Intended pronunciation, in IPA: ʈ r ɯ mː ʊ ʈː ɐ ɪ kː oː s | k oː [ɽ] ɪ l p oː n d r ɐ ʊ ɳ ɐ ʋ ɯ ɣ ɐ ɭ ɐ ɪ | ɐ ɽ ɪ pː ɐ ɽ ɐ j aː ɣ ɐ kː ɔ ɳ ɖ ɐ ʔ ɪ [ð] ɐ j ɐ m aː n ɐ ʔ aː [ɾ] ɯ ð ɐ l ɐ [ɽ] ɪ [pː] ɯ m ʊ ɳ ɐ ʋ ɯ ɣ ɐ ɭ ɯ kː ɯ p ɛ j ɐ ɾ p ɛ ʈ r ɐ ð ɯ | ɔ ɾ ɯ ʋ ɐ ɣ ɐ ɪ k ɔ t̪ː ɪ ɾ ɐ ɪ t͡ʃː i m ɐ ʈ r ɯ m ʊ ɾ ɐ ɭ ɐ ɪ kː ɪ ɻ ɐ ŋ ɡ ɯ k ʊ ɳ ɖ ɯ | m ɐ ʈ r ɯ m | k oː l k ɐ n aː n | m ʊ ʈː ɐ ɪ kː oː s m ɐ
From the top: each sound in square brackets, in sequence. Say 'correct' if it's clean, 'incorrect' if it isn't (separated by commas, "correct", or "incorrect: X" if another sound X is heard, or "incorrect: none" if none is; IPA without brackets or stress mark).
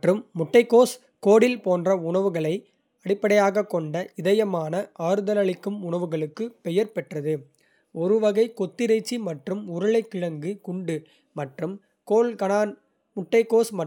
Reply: correct, correct, correct, incorrect: ɭ, incorrect: kː